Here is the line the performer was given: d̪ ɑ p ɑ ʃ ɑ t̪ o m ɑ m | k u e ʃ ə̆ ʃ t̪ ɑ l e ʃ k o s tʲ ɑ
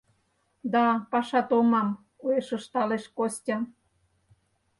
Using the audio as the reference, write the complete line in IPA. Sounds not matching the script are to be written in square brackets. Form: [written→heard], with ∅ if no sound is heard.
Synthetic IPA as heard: d̪ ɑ p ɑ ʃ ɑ t̪ o m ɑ m | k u e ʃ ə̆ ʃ t̪ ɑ l e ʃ k o s tʲ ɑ